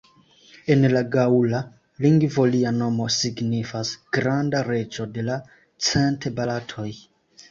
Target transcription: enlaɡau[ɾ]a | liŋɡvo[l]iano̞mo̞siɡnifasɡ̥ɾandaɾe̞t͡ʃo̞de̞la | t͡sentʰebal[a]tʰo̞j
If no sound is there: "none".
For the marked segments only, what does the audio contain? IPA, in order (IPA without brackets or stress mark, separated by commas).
l, l, a